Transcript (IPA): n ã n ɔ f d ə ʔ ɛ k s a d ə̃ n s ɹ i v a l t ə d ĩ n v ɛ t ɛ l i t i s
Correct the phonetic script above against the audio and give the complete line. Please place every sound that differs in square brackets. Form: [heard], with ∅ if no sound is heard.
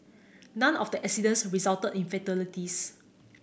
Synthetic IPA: n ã n ɔ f d ə ʔ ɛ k s [i] d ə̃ n s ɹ i [z] a l t ə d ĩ n [f] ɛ t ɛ l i t i s